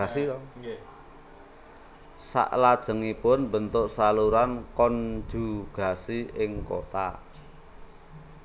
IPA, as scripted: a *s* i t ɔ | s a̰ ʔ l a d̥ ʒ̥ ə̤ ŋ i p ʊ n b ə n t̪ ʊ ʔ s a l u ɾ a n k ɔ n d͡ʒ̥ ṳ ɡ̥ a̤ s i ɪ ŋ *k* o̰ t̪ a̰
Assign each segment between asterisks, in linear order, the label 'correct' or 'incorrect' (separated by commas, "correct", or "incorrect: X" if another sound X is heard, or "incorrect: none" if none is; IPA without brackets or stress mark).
correct, correct